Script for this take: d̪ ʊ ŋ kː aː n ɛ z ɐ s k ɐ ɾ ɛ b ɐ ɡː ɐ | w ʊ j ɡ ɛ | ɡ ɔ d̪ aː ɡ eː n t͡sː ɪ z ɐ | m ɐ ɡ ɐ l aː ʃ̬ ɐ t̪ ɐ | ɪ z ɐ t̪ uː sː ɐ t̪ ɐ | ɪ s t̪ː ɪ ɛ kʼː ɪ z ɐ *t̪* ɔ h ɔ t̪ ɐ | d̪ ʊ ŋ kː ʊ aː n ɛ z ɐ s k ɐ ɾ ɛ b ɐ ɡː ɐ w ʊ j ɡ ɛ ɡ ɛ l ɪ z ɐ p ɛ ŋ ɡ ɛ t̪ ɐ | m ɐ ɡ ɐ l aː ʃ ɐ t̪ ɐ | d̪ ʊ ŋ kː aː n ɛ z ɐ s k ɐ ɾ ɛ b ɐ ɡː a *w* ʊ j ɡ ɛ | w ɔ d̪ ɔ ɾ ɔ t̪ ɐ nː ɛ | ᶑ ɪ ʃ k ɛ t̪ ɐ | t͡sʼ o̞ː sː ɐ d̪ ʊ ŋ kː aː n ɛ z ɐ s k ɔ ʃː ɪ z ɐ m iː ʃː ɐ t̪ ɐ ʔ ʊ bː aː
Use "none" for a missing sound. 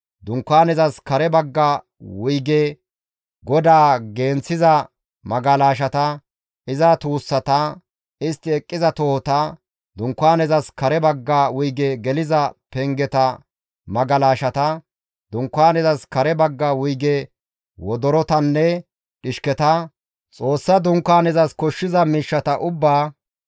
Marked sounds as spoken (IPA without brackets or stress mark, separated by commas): t̪, w